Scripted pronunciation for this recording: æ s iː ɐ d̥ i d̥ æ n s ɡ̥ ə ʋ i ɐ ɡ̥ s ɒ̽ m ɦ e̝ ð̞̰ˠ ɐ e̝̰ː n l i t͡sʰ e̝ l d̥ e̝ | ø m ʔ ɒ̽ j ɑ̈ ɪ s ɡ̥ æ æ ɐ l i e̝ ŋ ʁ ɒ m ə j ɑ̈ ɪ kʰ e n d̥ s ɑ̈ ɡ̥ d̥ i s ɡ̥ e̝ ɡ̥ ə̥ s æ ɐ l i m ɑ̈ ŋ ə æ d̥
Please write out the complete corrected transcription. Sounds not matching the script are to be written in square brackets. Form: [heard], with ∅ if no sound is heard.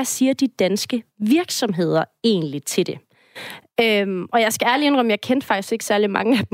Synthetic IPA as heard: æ s iː ɐ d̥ i d̥ æ n s ɡ̥ ə ʋ i ɐ ɡ̥ s ɒ̽ m ɦ e̝ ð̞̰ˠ ɐ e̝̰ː n l i t͡sʰ e̝ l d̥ e̝ | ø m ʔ ɒ̽ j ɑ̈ ɪ s ɡ̥ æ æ ɐ l i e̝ [n] ʁ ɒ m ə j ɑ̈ ɪ kʰ e n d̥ [f] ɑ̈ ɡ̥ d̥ i s ɡ̥ e̝ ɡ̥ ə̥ s æ ɐ l i m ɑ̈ ŋ ə æ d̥